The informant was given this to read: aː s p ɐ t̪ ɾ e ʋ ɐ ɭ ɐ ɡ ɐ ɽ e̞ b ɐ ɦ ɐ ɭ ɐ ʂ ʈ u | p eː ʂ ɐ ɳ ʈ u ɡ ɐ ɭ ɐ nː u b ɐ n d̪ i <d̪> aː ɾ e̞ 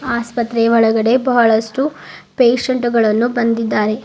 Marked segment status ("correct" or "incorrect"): incorrect